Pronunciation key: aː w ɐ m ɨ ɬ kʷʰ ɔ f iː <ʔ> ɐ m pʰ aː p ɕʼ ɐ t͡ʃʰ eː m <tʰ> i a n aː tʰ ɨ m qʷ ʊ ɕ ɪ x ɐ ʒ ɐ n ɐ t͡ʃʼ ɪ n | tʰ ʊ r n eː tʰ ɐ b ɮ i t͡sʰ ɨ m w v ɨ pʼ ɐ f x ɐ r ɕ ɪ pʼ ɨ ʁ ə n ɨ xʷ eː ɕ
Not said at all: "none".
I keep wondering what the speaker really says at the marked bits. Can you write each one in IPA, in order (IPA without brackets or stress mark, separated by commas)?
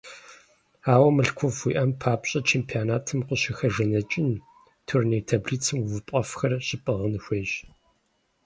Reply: ʔ, pʰ